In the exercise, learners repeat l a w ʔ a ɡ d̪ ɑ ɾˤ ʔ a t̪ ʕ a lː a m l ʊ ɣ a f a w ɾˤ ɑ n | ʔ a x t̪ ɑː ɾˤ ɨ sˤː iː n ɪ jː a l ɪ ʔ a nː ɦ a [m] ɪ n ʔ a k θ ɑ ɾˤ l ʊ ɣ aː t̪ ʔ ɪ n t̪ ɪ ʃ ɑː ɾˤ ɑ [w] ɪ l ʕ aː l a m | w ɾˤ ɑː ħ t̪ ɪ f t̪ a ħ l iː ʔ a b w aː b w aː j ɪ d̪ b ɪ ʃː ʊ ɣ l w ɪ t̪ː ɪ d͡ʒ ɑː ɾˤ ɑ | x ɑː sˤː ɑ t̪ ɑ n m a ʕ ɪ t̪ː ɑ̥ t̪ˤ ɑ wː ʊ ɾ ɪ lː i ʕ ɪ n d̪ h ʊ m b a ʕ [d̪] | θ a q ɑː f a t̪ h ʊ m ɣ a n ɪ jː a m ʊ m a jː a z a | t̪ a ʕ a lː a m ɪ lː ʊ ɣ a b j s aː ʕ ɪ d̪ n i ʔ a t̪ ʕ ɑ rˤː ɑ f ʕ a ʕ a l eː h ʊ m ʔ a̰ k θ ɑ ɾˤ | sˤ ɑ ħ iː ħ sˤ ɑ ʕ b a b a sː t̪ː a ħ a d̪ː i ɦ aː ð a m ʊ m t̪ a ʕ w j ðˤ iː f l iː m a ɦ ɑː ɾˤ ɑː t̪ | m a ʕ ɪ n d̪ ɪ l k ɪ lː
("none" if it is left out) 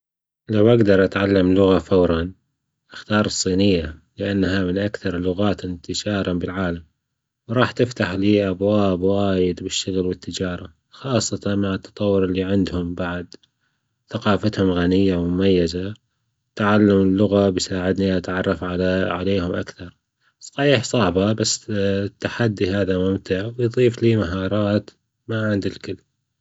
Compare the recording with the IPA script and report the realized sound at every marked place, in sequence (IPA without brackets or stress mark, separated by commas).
m, b, d̪